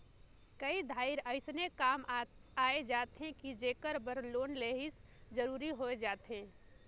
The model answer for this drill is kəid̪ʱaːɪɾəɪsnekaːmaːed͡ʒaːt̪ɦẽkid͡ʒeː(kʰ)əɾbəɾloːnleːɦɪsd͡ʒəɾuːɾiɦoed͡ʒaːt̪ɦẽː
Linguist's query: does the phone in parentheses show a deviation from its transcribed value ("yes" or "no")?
yes